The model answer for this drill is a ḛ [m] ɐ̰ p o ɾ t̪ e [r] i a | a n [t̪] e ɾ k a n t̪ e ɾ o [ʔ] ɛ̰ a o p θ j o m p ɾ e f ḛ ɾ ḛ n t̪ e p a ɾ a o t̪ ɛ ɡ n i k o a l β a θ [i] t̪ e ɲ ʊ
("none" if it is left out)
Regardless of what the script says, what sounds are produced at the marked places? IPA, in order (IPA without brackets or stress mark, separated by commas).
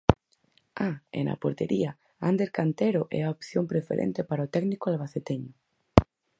n, ɾ, d̪, ʔ, e